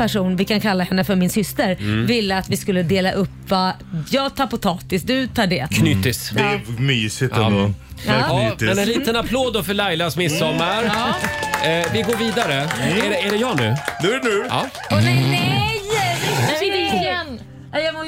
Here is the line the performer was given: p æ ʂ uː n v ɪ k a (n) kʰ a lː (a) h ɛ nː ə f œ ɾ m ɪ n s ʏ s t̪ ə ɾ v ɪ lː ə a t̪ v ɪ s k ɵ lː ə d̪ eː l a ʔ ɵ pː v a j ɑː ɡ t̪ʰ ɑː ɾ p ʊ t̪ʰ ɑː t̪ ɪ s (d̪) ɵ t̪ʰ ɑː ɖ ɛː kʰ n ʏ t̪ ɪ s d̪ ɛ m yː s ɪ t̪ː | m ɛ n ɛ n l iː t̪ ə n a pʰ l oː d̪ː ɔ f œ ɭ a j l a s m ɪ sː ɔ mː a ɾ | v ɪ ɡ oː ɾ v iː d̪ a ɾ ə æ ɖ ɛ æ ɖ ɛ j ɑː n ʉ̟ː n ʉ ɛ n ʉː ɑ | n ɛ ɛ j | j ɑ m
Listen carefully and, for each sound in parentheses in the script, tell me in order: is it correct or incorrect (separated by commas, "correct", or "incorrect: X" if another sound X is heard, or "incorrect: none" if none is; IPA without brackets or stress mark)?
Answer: correct, correct, correct